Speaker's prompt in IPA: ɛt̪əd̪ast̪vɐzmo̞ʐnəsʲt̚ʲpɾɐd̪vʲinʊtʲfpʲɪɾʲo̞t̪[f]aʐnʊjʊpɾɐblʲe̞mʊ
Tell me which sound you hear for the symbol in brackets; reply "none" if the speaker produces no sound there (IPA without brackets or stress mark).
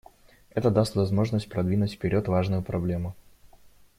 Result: v